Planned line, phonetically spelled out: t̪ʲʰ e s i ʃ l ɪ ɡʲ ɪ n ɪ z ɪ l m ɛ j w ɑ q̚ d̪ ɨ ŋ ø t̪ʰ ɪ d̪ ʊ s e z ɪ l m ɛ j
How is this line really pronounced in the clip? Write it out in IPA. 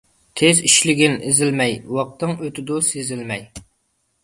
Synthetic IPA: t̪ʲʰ e z i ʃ l ɪ ɡʲ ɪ n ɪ z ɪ l m ɛ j w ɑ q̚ t̪ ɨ ŋ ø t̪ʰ ɪ d̪ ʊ s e z ɪ l m ɛ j